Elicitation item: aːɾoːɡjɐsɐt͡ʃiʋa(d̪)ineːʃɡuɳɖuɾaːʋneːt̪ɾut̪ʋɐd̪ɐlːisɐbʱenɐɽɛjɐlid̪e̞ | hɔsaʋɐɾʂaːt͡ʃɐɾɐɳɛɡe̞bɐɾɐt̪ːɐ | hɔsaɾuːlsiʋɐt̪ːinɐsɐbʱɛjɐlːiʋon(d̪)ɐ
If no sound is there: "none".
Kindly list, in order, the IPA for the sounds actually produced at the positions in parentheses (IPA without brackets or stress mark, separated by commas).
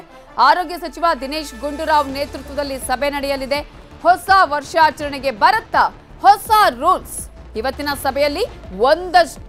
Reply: d̪, d̪